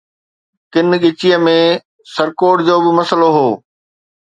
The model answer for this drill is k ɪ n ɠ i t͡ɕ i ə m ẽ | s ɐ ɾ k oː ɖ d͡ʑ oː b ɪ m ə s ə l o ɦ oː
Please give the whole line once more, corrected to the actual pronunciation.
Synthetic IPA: k ɪ n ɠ ɪ t͡ɕ i ə m ẽ | s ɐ ɾ k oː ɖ d͡ʑ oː b ɪ m ɐ s ə l o ɦ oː